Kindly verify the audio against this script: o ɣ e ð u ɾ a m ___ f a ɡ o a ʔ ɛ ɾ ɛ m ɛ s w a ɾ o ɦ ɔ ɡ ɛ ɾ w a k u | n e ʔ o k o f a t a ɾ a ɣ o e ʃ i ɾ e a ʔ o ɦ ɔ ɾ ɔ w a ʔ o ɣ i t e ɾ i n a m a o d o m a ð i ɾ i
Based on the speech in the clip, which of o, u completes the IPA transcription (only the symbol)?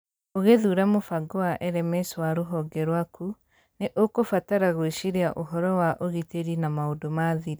o